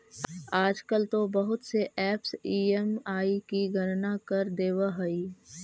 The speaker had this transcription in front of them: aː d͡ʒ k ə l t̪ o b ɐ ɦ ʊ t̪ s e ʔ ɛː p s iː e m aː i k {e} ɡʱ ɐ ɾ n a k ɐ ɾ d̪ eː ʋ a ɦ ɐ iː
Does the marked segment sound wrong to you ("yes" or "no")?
yes